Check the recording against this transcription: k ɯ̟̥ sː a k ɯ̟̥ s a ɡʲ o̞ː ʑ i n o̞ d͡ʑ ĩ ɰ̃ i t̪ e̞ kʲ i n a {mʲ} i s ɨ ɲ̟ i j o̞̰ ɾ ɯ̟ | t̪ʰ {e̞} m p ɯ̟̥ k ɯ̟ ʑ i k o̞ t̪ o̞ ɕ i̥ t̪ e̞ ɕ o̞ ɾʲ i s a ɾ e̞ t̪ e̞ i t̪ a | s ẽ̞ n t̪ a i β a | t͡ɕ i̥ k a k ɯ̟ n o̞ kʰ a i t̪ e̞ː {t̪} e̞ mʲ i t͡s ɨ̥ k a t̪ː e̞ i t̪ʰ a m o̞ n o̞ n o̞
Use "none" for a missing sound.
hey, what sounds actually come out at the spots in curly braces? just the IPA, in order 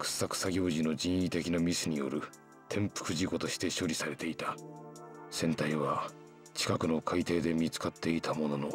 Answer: mʲ, ẽ̞, d̪

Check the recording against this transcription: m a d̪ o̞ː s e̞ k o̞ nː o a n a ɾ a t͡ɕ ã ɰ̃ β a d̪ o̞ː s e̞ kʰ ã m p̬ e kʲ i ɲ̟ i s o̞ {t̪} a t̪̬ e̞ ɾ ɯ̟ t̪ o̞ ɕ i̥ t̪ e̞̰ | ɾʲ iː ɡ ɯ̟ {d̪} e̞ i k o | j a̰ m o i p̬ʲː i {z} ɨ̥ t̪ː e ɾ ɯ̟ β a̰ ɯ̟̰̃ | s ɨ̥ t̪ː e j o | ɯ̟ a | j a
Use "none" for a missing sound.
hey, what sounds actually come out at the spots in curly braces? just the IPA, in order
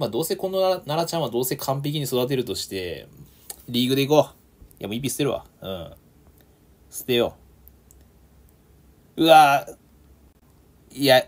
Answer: d̪, d̪, s

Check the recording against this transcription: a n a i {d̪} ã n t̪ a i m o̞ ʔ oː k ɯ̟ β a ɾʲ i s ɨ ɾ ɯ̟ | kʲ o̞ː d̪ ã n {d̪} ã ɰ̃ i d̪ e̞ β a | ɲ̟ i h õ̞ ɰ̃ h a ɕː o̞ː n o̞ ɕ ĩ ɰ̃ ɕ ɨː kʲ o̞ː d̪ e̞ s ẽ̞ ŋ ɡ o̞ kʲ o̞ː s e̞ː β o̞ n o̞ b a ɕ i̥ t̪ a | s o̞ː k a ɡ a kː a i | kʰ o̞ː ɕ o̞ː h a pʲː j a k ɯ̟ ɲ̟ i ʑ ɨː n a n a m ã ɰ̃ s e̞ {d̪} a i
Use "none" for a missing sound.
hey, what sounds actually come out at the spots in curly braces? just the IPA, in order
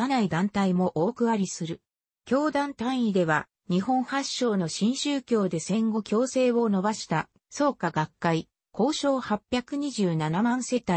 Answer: d̪, t̪, t̪

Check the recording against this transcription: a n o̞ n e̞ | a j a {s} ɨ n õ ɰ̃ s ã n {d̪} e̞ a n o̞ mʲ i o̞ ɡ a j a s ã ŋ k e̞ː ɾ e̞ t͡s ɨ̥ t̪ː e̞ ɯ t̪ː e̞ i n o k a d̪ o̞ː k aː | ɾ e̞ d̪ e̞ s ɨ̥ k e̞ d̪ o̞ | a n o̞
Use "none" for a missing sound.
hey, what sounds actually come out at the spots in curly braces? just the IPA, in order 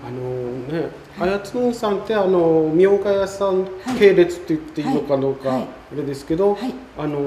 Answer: t͡s, t̪

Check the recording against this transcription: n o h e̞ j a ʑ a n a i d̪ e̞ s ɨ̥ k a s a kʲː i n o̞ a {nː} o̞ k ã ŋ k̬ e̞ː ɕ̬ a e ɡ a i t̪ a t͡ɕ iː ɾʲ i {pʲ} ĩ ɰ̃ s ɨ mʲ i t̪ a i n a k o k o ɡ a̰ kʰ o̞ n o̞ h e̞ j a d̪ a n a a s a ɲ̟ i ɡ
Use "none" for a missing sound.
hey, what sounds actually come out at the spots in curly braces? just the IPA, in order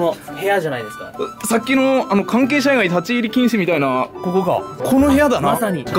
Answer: n, kʲ

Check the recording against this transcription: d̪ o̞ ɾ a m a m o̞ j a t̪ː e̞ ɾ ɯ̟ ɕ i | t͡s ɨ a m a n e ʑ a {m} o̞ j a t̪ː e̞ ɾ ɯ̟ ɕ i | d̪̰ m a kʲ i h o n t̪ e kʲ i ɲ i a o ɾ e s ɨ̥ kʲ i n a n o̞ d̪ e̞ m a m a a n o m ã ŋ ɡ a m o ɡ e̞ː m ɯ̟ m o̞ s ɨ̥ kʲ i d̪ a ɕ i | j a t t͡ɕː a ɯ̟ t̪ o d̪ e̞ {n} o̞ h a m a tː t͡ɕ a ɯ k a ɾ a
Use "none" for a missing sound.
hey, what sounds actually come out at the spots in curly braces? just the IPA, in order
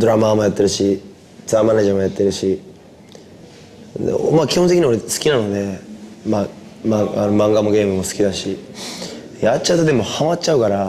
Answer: m, m

